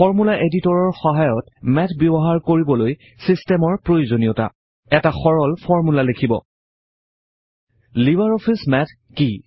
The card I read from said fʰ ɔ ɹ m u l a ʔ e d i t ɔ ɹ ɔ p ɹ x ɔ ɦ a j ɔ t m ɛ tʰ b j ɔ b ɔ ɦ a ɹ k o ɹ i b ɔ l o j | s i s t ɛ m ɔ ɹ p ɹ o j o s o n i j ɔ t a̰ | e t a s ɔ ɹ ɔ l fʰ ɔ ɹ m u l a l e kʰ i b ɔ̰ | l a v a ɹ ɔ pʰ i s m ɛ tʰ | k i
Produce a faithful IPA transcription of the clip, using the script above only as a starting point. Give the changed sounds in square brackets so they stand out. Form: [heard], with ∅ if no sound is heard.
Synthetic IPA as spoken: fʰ ɔ ɹ m u l a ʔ e d i t ɔ ɹ ɔ [∅] ɹ x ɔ ɦ a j ɔ t m ɛ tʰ b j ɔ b ɔ ɦ a ɹ k o ɹ i b ɔ l o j | s i s t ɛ m ɔ ɹ p ɹ o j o [z] o n i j ɔ t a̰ | [ɛ] t a [x] ɔ ɹ ɔ l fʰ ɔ ɹ m u l a l e kʰ i b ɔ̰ | l [i] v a ɹ ɔ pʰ i s m ɛ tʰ | k i